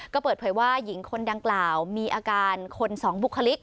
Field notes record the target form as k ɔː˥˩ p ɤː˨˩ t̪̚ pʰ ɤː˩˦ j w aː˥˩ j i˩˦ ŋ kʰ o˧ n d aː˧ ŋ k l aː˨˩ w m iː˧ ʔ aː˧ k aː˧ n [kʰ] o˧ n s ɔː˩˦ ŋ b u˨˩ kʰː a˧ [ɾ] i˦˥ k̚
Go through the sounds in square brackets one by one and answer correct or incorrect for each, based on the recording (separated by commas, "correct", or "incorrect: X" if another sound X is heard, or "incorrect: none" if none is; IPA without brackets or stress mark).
correct, incorrect: l